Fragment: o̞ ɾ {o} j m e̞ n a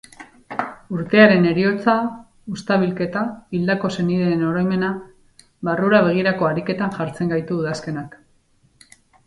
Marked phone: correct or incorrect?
correct